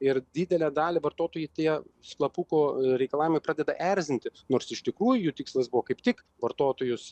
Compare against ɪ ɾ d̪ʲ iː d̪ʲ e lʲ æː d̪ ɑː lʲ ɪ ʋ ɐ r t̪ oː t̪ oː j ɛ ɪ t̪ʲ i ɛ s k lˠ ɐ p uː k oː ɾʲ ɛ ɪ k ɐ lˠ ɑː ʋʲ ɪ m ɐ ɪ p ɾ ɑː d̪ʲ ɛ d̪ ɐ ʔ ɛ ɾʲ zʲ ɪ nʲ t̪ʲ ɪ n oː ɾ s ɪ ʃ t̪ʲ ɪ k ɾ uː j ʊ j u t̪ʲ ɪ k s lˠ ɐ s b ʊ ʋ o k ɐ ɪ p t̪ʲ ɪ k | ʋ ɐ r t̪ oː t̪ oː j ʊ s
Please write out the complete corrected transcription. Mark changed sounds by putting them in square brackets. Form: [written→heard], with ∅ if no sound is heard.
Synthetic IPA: ɪ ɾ d̪ʲ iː d̪ʲ [e→ɛ] lʲ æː d̪ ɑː lʲ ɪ ʋ ɐ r t̪ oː t̪ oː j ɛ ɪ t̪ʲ i ɛ s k lˠ ɐ p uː k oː ɾʲ ɛ ɪ k ɐ lˠ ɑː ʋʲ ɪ m ɐ ɪ p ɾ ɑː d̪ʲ ɛ d̪ ɐ ʔ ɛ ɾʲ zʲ ɪ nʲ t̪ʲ ɪ n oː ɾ s ɪ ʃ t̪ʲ ɪ k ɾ uː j ʊ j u t̪ʲ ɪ k s lˠ ɐ s b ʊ ʋ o k ɐ ɪ p t̪ʲ ɪ k | ʋ ɐ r t̪ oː t̪ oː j ʊ s